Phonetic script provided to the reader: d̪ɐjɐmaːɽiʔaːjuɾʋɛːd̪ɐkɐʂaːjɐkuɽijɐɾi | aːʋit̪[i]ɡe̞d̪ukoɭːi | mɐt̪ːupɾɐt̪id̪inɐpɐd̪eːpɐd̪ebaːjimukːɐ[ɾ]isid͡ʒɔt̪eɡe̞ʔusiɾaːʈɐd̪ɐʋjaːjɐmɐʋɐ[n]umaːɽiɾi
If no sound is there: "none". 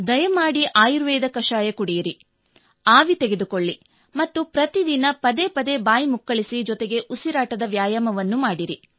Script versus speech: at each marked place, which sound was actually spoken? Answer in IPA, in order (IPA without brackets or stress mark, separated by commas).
e, ɭ, nː